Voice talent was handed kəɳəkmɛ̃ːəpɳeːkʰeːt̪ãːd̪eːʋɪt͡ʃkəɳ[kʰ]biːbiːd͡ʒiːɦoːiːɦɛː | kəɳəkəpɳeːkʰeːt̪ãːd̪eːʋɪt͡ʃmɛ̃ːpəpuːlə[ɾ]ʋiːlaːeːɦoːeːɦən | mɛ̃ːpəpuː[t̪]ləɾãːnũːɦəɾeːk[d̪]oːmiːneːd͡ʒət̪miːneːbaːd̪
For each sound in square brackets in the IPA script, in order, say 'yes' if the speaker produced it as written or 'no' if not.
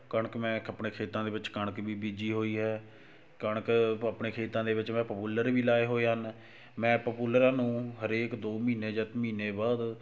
no, yes, no, yes

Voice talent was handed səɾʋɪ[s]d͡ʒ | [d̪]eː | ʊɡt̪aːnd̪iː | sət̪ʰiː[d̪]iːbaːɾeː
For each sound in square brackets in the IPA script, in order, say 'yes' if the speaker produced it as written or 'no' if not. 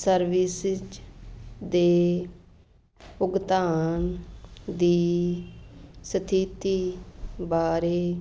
yes, yes, no

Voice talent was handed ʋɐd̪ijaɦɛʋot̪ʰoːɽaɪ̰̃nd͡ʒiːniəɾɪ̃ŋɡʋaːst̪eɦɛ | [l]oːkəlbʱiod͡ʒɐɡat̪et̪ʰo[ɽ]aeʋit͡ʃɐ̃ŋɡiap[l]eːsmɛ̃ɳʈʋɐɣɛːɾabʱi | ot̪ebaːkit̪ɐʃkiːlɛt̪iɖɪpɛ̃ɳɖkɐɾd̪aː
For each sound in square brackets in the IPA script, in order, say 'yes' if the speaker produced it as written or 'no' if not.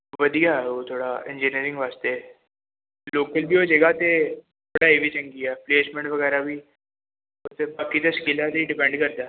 yes, yes, yes

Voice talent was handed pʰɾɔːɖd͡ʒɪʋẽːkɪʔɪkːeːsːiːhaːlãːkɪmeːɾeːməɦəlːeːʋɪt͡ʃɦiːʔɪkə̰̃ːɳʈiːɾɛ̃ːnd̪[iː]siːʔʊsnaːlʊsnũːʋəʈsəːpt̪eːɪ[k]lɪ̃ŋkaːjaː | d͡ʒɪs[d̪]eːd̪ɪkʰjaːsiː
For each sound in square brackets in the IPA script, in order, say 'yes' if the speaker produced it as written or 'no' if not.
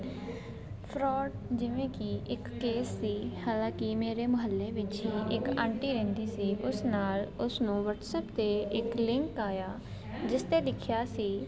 yes, yes, no

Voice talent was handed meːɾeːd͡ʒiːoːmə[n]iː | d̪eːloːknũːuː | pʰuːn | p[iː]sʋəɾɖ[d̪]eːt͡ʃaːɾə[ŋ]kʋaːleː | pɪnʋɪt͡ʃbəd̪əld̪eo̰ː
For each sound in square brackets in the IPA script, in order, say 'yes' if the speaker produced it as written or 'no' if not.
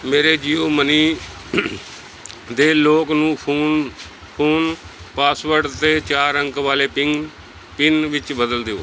yes, no, no, yes

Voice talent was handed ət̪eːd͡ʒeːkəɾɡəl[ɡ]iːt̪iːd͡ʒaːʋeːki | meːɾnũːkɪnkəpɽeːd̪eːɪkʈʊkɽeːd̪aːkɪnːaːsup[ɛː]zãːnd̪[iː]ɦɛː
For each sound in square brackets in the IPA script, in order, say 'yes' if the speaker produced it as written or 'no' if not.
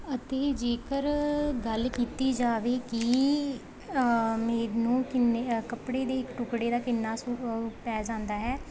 no, yes, no

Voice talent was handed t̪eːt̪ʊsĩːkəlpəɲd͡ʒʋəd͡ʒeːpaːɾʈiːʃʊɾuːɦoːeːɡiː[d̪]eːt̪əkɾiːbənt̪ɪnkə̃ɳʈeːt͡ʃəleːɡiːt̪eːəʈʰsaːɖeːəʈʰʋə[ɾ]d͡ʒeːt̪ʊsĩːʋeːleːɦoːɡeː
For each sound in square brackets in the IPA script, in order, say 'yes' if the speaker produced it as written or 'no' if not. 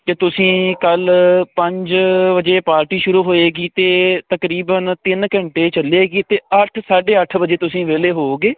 no, no

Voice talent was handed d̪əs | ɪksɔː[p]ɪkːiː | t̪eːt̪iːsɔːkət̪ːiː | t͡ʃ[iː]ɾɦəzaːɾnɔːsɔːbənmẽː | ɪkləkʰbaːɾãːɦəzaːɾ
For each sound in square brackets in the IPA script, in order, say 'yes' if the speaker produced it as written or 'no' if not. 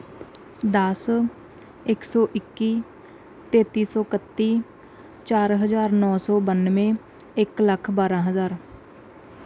no, no

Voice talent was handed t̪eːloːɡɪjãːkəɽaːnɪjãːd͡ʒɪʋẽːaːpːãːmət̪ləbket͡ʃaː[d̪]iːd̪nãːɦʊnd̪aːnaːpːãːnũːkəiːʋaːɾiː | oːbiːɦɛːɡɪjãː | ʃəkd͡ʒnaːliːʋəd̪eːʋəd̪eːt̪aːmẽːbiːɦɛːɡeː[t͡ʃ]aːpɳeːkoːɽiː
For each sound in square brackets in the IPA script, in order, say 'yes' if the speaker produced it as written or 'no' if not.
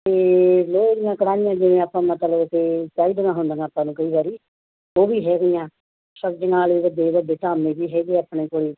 no, no

